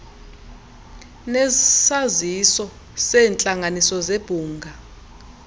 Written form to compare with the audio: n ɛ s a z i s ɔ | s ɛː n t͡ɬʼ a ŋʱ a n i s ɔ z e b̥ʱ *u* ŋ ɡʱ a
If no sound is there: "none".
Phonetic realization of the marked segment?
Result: uː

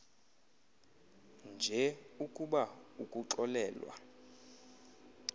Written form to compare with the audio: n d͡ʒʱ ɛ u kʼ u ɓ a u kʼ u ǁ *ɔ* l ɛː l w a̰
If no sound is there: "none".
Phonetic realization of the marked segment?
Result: ɔ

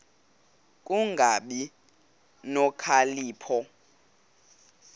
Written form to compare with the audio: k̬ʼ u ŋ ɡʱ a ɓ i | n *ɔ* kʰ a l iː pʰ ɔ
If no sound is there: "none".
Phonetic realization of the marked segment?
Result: ɔ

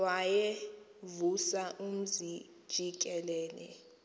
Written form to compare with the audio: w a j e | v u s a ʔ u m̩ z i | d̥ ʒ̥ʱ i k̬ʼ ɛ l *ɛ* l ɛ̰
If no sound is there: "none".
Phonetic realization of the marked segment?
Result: ɛː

